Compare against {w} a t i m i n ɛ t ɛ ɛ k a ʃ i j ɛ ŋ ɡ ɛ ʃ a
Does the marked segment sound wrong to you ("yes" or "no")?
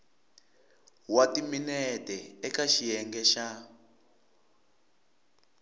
no